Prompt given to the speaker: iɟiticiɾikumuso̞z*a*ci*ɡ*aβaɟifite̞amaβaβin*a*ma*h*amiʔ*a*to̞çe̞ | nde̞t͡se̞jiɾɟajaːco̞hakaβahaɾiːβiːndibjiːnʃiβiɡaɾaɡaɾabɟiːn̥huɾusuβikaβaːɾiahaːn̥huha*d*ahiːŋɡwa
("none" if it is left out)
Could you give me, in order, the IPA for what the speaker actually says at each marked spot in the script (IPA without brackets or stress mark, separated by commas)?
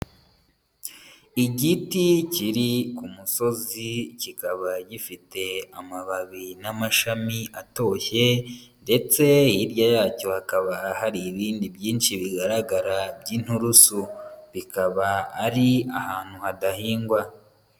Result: i, k, a, ʃ, a, d